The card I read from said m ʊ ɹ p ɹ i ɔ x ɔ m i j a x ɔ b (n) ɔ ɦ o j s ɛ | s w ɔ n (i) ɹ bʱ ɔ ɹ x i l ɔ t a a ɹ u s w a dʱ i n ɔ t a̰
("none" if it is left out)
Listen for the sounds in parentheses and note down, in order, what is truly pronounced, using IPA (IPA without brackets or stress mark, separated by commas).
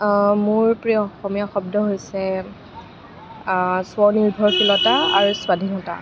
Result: d, i